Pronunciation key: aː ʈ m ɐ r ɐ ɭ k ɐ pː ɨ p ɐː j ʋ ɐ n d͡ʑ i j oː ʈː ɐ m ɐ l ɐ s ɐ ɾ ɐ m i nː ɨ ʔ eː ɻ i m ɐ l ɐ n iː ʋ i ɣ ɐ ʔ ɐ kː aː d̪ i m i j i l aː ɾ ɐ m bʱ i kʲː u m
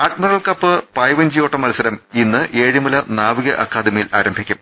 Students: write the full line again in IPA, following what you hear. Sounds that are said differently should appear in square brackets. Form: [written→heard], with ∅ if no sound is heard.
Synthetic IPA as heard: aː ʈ m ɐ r ɐ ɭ k ɐ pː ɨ p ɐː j ʋ ɐ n d͡ʑ i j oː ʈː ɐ m ɐ l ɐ s ɐ ɾ ɐ m i nː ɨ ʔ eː ɻ i m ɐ l ɐ n [iː→aː] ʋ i ɣ ɐ ʔ ɐ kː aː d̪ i m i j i l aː ɾ ɐ m bʱ i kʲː u m